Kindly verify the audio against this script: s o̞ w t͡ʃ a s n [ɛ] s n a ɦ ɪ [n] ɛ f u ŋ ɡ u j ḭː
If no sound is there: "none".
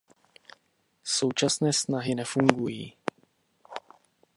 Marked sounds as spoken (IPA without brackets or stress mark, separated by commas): ɛː, n